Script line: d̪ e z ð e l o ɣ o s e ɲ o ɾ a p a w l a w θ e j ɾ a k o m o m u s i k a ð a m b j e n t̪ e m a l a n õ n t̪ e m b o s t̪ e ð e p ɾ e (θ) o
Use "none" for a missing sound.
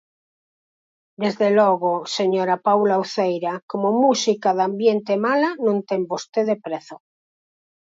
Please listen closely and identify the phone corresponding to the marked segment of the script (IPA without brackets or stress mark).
θ